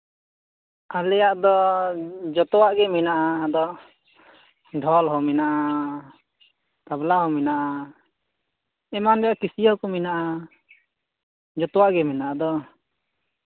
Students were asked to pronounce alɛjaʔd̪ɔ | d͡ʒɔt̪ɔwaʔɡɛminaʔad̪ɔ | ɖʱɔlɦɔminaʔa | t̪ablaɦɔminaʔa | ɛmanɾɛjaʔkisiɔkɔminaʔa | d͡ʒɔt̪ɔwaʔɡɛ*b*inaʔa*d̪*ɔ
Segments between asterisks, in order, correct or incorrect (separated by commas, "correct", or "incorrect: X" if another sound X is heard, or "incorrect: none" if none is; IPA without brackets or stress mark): incorrect: m, correct